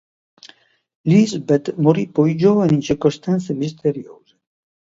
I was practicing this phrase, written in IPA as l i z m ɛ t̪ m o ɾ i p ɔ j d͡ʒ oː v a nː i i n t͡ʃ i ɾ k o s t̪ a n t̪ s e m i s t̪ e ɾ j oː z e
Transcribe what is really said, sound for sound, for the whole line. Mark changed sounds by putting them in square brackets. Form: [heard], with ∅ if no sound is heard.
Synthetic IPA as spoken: l i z [b] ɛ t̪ m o ɾ i p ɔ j d͡ʒ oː v a [n] i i n t͡ʃ i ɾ k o s t̪ a n t̪ s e m i s t̪ e ɾ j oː z e